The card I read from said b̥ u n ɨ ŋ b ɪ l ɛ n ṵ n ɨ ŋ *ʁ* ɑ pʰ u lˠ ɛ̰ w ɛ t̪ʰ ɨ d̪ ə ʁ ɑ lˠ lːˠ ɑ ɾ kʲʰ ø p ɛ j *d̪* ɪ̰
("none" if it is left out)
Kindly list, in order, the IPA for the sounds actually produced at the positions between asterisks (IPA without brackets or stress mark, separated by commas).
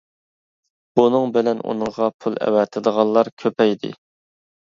ʁ, d̪